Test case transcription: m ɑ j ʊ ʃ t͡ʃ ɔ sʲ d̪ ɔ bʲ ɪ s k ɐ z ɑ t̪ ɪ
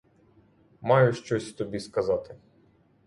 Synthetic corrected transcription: m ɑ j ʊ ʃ t͡ʃ ɔ sʲ t̪ ɔ bʲ i s k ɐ z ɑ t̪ ɪ